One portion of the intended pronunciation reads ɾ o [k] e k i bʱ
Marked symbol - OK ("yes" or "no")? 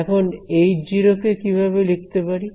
yes